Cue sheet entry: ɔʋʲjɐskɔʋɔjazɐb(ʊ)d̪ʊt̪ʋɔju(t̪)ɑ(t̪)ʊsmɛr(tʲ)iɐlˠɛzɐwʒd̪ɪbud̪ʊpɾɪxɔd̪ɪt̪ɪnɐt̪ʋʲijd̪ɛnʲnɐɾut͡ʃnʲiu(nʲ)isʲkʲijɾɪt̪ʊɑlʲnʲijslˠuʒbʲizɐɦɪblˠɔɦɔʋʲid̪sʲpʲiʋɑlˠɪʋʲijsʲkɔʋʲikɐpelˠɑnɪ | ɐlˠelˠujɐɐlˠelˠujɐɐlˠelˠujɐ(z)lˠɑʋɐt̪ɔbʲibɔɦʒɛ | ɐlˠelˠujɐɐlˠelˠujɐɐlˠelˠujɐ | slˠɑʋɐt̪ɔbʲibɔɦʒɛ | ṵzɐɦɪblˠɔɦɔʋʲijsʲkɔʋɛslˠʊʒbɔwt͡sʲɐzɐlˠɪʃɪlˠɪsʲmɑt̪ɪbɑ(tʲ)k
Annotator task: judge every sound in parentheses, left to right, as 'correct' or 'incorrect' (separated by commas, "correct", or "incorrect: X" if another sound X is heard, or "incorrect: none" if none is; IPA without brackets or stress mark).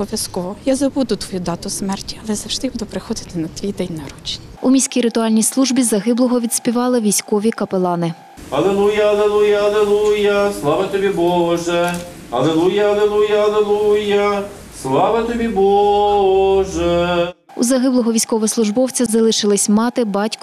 incorrect: u, incorrect: d̪, correct, correct, incorrect: mʲ, incorrect: s, correct